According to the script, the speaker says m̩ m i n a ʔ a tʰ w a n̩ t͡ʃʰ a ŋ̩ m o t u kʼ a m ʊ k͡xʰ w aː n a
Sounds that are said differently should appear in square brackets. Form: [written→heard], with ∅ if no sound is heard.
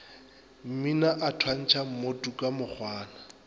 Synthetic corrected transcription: m̩ m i n a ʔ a tʰ w a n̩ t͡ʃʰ a [ŋ̩→m̩] m o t u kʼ a m ʊ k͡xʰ w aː n a